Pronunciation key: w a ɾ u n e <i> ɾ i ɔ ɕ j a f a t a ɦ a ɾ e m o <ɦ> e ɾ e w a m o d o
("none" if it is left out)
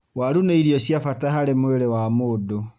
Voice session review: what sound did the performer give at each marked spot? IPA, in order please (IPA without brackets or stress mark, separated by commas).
i, none